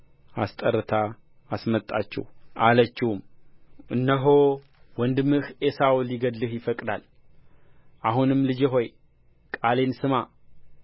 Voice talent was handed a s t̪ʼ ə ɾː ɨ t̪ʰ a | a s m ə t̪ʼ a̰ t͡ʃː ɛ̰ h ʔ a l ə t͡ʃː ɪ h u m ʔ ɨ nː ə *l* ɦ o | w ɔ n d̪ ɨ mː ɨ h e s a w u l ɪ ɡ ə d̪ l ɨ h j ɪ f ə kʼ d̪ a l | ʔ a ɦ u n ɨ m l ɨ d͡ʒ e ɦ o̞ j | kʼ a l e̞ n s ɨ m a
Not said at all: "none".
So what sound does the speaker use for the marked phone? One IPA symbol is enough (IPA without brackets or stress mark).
none